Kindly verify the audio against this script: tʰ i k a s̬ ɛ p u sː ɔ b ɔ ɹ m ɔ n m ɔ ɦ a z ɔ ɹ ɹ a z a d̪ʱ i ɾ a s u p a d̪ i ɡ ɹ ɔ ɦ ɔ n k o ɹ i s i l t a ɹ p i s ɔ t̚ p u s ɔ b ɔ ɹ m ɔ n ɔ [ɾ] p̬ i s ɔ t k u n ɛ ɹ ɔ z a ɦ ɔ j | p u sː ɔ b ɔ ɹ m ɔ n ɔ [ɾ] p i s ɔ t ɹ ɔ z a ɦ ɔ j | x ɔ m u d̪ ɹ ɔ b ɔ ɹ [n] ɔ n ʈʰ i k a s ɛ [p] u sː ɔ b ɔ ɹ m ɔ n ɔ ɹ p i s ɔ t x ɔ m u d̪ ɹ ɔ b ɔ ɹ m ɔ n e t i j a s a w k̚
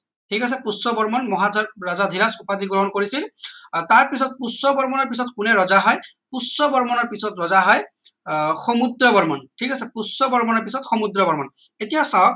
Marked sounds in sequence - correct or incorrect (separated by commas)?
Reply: incorrect, incorrect, incorrect, correct